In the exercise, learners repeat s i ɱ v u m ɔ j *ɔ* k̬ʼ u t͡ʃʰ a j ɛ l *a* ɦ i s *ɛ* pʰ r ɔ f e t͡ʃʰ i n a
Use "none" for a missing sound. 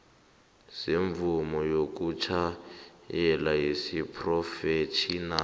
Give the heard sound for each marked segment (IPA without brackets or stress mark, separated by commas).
o, a, i